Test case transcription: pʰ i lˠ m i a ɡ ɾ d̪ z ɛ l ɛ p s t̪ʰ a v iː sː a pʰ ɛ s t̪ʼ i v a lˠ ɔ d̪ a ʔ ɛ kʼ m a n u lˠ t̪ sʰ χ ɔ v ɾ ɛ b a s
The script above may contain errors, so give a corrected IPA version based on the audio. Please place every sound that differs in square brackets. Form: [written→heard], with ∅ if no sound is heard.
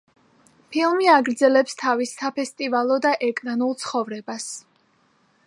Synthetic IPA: pʰ i lˠ m i a ɡ ɾ d̪ z ɛ l ɛ p s t̪ʰ a v [iː→i] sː a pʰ ɛ s t̪ʼ i v a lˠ ɔ d̪ a ʔ ɛ kʼ [m→n] a n u lˠ t̪ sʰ χ ɔ v ɾ ɛ b a s